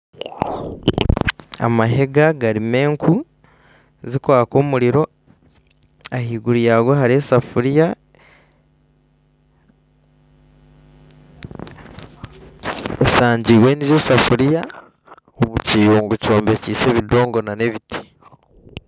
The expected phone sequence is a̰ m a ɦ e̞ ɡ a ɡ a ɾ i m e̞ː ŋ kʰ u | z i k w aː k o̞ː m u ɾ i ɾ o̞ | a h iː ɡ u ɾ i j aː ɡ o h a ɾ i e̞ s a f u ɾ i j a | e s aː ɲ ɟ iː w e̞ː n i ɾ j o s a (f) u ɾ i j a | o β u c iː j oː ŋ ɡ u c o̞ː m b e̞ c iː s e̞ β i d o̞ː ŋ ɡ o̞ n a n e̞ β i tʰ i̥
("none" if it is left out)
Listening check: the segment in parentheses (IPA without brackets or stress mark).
f